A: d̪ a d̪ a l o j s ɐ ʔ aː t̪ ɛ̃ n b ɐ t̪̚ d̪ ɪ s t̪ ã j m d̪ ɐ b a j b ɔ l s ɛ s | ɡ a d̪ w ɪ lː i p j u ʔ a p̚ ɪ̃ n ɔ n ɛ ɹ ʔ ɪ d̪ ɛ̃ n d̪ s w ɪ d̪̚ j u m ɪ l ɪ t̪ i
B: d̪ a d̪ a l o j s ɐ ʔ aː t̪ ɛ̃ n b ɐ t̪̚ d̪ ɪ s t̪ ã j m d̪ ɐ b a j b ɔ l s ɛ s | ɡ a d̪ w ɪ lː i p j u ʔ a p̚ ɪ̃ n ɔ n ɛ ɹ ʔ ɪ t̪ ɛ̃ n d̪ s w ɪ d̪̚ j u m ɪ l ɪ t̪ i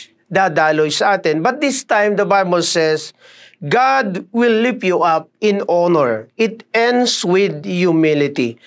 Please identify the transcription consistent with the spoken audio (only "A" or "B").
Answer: B